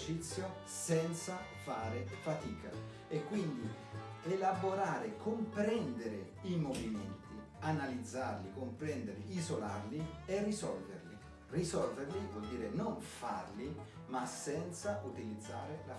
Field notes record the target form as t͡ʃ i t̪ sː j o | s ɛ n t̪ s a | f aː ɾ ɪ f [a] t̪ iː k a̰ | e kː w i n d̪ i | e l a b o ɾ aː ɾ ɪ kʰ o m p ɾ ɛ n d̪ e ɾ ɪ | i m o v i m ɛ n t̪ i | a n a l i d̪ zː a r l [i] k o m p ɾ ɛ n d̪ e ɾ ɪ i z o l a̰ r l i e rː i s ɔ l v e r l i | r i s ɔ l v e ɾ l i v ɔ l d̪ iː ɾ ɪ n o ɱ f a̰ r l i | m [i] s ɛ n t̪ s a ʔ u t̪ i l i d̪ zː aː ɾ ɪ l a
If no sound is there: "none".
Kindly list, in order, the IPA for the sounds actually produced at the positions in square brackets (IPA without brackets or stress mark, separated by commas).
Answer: a, i, a